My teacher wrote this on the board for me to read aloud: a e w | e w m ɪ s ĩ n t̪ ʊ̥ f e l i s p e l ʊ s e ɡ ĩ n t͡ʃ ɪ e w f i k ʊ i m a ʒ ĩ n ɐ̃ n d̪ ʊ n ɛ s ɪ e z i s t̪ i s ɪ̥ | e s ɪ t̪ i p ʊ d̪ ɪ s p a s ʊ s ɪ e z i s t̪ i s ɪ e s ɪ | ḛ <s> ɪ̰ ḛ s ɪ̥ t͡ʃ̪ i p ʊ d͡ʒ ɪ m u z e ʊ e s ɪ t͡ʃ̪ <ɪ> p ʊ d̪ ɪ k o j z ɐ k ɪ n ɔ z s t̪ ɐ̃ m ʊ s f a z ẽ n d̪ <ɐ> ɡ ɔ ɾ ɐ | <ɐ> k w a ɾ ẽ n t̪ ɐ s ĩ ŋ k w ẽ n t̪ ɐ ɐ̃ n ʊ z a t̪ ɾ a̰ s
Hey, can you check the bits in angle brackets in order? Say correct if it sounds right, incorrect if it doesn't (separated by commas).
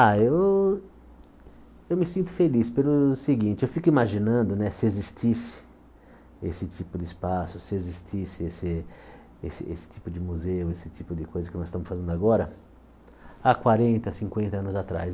correct, incorrect, incorrect, incorrect